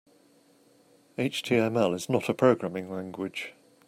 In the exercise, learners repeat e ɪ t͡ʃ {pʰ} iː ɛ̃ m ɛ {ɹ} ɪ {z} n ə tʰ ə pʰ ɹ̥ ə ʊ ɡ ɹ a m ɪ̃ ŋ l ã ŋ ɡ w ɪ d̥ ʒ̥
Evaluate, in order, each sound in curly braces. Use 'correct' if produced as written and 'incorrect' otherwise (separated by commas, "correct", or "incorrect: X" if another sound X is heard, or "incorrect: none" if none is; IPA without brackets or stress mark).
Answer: incorrect: tʰ, incorrect: l, correct